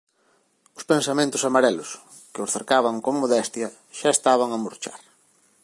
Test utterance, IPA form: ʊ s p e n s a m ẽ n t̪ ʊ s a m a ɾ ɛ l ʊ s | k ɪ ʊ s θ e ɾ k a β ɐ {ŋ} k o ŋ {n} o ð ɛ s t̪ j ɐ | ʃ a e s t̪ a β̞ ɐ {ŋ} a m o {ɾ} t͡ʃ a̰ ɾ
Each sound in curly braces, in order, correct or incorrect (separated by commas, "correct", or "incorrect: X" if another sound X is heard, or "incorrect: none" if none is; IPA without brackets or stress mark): correct, incorrect: m, correct, correct